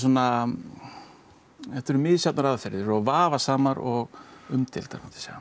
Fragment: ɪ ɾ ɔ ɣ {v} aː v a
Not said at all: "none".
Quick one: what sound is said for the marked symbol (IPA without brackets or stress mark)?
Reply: v